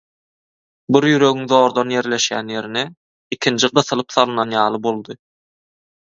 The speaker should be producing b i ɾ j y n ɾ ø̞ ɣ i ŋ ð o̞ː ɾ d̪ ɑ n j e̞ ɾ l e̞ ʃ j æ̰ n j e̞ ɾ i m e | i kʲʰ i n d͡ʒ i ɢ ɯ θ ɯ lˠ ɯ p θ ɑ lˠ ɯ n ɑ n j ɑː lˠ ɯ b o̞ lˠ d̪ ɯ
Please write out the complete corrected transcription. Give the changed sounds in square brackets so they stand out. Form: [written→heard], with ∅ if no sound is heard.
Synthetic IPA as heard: b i ɾ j y [n→∅] ɾ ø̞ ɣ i ŋ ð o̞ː ɾ d̪ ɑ n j e̞ ɾ l e̞ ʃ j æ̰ n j e̞ ɾ i [m→n] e | i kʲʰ i n d͡ʒ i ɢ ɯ θ ɯ lˠ ɯ p θ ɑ lˠ ɯ n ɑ n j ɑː lˠ ɯ b o̞ lˠ d̪ ɯ